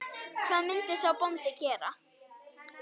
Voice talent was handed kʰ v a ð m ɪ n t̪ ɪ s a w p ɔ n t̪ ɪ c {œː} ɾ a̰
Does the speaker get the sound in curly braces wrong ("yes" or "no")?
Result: yes